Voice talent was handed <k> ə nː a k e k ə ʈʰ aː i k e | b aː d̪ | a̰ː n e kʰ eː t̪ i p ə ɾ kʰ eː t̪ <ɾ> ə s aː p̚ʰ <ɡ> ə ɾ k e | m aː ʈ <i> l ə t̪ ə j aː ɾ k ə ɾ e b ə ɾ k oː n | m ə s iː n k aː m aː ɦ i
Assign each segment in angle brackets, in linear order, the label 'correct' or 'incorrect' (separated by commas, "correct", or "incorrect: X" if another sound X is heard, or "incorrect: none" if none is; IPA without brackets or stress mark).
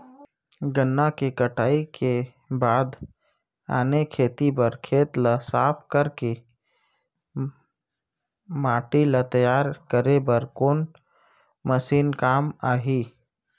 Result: incorrect: ɡ, incorrect: l, incorrect: k, correct